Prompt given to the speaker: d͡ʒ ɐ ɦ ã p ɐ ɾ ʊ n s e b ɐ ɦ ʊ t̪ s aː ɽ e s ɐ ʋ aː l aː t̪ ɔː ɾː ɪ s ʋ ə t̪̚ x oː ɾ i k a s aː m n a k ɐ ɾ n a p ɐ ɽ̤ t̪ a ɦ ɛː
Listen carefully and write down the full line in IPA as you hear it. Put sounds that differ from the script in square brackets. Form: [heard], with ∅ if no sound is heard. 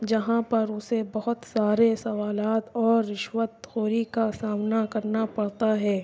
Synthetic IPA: d͡ʒ ɐ ɦ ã p ɐ ɾ ʊ [∅] s e b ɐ ɦ ʊ t̪ s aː [ɾ] e s ɐ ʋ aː l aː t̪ ɔː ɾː ɪ [ʃ] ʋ ə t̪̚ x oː ɾ i k a s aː m n a k ɐ ɾ n a p ɐ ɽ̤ t̪ a ɦ ɛː